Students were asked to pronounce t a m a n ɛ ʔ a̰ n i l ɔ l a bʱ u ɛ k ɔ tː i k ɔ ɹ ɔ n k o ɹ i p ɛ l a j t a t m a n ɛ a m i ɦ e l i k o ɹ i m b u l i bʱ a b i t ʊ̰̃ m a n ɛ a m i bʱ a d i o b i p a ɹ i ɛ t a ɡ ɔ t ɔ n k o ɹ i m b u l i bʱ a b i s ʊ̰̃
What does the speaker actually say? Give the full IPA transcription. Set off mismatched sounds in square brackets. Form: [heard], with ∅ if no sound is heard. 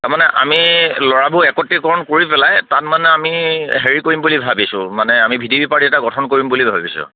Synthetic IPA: t a m a n ɛ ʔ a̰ [m] i l ɔ [ɹ] a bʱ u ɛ k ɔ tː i k ɔ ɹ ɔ n k o ɹ i p ɛ l a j t a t m a n ɛ a m i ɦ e [ɹ] i k o ɹ i m b u l i bʱ a b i [s] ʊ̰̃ m a n ɛ a m i bʱ [i] d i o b i p a ɹ i ɛ t a ɡ ɔ [tʰ] ɔ n k o ɹ i m b u l i bʱ a b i s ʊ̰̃